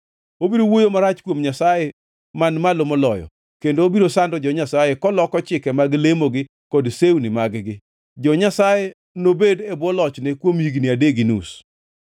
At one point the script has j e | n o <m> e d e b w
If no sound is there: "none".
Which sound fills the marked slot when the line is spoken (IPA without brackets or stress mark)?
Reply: b